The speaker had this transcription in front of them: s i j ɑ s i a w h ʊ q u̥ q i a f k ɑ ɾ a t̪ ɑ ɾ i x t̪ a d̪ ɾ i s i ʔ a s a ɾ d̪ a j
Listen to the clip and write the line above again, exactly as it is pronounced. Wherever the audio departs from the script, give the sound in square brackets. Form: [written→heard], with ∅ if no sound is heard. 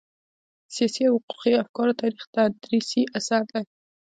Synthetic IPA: s i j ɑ s i a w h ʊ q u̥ q i a f k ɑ ɾ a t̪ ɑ ɾ i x t̪ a d̪ ɾ i s i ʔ a s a ɾ d̪ a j